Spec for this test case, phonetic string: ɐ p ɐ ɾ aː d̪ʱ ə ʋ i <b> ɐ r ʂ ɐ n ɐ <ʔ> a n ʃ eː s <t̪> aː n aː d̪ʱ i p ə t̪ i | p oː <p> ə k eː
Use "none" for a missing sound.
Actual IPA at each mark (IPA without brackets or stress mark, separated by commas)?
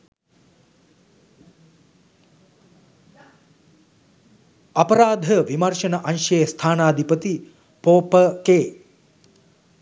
m, ʔ, t̪ʰ, p